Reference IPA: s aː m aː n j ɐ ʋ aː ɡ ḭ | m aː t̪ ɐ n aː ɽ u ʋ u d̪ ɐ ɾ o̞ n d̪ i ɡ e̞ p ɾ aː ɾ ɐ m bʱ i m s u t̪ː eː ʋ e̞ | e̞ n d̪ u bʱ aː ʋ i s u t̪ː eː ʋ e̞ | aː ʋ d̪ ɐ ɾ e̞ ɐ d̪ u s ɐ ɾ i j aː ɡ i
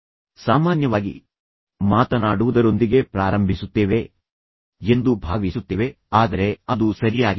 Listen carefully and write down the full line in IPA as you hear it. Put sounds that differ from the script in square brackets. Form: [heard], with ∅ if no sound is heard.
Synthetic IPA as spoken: s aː m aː n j ɐ ʋ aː ɡ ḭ | m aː t̪ ɐ n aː ɽ u ʋ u d̪ ɐ ɾ o̞ n d̪ i ɡ e̞ p ɾ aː ɾ ɐ m bʱ i [∅] s u t̪ː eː ʋ e̞ | e̞ n d̪ u bʱ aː ʋ i s u t̪ː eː ʋ e̞ | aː [∅] d̪ ɐ ɾ e̞ ɐ d̪ u s ɐ ɾ i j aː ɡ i

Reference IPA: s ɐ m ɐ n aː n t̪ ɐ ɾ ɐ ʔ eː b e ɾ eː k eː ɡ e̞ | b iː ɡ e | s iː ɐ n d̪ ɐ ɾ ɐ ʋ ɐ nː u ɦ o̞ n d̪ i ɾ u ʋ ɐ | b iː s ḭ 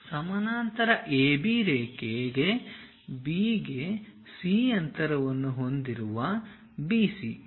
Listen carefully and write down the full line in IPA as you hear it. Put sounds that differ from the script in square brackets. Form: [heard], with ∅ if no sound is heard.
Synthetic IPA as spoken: s ɐ m ɐ n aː n t̪ ɐ ɾ ɐ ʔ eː b [i] ɾ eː k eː ɡ e̞ | b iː ɡ e | s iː ɐ n [t̪] ɐ ɾ ɐ ʋ ɐ nː u ɦ o̞ n d̪ i ɾ u ʋ ɐ | b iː s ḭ

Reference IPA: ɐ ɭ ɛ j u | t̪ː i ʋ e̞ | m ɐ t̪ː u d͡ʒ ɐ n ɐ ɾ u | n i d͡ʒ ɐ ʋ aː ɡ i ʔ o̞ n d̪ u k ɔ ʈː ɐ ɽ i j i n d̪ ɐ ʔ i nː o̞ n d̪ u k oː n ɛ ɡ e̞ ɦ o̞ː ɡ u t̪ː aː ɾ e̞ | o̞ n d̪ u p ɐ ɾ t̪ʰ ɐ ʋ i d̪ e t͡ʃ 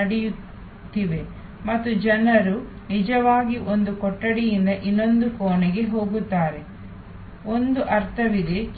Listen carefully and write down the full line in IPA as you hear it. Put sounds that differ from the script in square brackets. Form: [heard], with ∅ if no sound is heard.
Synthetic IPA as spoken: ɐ [ɽ] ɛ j u | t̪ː i ʋ e̞ | m ɐ t̪ː u d͡ʒ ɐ n ɐ ɾ u | n i d͡ʒ ɐ ʋ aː ɡ i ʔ o̞ n d̪ u k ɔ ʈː ɐ ɽ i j i n d̪ ɐ ʔ i nː o̞ n d̪ u k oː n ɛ ɡ e̞ ɦ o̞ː ɡ u t̪ː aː ɾ e̞ | o̞ n d̪ u [ʔ] ɐ ɾ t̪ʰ ɐ ʋ i d̪ e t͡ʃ

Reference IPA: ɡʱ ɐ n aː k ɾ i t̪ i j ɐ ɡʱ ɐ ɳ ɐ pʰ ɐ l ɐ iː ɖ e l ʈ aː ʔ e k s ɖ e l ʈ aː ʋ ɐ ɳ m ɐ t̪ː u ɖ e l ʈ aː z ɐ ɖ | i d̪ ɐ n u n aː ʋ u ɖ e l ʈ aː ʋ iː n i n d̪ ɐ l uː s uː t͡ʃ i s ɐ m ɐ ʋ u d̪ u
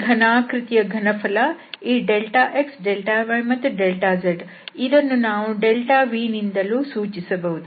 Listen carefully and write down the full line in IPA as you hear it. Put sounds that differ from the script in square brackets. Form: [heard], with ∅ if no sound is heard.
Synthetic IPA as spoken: ɡʱ ɐ n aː k ɾ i t̪ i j ɐ ɡʱ ɐ [n] ɐ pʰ ɐ l ɐ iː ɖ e l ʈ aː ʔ e k s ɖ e l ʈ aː ʋ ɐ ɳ m ɐ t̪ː u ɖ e l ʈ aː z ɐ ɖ | i d̪ ɐ [nː] u n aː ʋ u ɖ e l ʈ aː ʋ iː n i n d̪ ɐ l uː s uː t͡ʃ i s ɐ [b] ɐ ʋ u d̪ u

